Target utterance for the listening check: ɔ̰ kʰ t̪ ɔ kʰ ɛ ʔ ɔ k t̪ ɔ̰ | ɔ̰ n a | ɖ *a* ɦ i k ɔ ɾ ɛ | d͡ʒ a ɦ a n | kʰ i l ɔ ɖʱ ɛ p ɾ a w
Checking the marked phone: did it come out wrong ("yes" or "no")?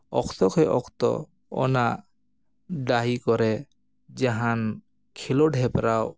no